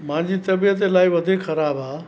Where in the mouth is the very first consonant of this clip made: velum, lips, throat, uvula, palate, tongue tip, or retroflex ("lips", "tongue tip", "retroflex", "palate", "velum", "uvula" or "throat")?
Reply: lips